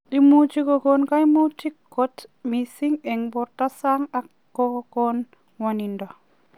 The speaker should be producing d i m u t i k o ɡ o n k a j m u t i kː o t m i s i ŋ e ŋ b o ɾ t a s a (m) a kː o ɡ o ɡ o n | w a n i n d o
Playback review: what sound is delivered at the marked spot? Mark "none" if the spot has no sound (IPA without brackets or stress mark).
ŋ